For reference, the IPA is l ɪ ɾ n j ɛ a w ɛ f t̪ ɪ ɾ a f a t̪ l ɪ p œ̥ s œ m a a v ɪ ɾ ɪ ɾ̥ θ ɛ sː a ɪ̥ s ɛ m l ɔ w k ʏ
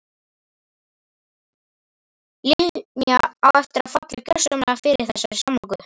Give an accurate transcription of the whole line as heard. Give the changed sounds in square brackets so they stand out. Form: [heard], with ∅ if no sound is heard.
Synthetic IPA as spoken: l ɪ [l] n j [a] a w ɛ f t̪ ɪ ɾ a f a t̪ l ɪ [c] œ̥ s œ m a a [f] ɪ ɾ ɪ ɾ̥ θ ɛ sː a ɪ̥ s [a] m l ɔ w k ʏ